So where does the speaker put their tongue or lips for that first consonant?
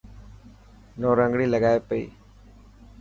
tongue tip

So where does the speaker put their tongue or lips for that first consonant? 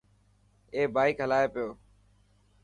lips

